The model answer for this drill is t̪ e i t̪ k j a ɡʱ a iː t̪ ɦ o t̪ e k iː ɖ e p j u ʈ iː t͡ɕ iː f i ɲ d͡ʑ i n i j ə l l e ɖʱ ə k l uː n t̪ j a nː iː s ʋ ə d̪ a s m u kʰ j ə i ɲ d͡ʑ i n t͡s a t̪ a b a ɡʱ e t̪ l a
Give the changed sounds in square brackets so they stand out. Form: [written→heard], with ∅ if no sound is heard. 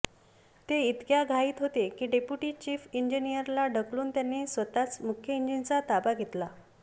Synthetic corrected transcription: t̪ e i t̪ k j a ɡʱ a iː t̪ ɦ o t̪ e k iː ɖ e p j u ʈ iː t͡ɕ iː f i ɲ d͡ʑ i n i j ə [l→ɾ] l [e→a] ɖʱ ə k l uː n t̪ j a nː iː s ʋ ə [d̪→t̪] a [s→t͡s] m u kʰ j ə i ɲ d͡ʑ i n t͡s a t̪ a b a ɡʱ e t̪ l a